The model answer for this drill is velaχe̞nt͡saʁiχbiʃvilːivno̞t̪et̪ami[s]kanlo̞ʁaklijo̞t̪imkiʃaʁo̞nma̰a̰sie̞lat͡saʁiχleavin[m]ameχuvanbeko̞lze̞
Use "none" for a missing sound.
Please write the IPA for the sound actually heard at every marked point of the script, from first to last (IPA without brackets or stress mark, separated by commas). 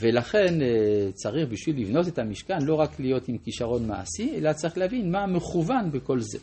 ʃ, m